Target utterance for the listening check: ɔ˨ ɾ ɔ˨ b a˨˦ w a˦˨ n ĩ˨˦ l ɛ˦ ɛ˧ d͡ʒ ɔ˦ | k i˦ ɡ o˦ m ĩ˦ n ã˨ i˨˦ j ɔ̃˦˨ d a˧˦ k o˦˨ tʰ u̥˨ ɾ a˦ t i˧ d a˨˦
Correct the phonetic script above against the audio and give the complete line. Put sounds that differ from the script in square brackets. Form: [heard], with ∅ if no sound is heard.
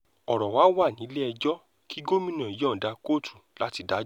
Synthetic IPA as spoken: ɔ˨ ɾ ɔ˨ [w] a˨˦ w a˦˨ n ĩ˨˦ l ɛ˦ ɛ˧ d͡ʒ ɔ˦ | k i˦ ɡ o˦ m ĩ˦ n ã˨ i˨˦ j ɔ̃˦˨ d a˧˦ k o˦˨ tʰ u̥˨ [l] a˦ t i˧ d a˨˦